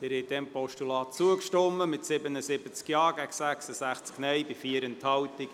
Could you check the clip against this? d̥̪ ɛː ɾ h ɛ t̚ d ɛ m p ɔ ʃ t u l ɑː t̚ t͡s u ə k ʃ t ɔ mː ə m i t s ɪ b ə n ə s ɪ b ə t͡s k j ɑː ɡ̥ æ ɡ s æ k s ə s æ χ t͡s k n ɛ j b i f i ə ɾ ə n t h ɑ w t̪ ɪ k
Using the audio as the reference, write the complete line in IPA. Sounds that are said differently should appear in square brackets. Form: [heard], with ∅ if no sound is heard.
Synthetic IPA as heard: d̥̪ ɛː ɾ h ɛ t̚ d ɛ m p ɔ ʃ t u l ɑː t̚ t͡s u ə k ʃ t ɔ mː ə m [ɪ] t s ɪ b ə n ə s ɪ b ə t͡s k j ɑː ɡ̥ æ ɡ s æ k s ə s æ χ t͡s k n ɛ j b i f i ə ɾ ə n t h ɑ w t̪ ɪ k